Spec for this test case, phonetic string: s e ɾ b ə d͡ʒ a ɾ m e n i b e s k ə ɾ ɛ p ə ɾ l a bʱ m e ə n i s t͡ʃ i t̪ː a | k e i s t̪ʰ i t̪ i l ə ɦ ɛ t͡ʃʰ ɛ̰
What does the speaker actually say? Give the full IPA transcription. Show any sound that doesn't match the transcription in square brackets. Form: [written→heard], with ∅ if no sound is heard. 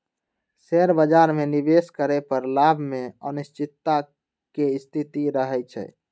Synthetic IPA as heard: s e ɾ b ə d͡ʒ a ɾ m e n i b e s k ə ɾ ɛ p ə ɾ l a bʱ m e ə n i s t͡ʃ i t̪ː a | k e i s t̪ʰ i t̪ i [l→ɾ] ə ɦ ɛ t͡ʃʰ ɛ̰